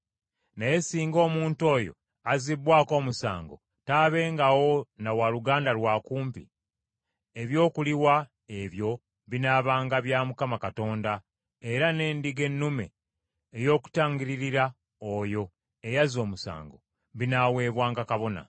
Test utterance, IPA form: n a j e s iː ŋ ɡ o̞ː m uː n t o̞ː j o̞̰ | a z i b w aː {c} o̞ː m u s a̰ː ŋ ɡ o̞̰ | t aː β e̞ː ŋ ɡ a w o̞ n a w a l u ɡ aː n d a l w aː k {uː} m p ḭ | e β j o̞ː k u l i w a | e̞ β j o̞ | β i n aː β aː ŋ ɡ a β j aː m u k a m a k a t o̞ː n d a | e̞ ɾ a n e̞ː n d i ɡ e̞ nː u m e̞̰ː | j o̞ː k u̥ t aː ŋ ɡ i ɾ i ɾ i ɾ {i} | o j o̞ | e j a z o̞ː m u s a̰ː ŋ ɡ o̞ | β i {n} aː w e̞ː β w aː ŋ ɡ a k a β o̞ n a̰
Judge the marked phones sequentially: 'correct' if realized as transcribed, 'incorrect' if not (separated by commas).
incorrect, correct, incorrect, correct